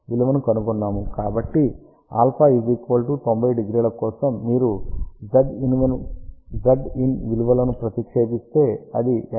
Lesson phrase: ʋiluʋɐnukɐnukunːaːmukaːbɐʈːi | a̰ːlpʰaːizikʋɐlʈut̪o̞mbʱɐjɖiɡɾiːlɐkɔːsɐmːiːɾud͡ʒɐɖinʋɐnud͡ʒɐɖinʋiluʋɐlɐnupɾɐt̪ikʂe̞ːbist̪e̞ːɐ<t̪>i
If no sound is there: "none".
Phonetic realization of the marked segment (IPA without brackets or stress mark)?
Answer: d̪